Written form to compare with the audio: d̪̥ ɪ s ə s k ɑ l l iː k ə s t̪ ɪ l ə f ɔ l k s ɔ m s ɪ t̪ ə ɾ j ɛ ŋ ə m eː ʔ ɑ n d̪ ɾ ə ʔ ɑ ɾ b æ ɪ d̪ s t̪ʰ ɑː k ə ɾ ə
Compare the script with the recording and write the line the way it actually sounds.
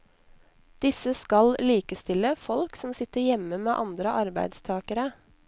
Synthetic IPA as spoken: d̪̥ ɪ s ə s k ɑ l l iː k ə s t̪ ɪ l ə f ɔ l k s ɔ m s ɪ t̪ ə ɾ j ɛ m ə m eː ʔ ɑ n d̪ ɾ ə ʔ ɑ ɾ b æ ɪ d̪ s t̪ʰ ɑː k ə ɾ ə